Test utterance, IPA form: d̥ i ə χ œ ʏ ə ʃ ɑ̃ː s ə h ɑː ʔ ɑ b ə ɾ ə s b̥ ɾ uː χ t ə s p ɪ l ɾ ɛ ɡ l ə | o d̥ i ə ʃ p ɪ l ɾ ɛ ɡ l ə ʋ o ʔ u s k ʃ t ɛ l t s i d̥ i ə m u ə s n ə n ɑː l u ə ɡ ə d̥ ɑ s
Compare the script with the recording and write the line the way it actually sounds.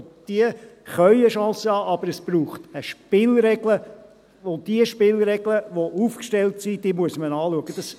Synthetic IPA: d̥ i ə χ œ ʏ ə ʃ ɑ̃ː s ə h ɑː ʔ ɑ b ə ɾ ə s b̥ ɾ uː χ t ə ʃ p ɪ l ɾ ɛ ɡ l ə | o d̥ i ə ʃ p ɪ l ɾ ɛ ɡ l ə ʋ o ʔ u f k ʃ t ɛ l t s i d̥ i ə m u ə s m ə n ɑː l u ə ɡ ə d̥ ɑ s